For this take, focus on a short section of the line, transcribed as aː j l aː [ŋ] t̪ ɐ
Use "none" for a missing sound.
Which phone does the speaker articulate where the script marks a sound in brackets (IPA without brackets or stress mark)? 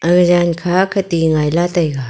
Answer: none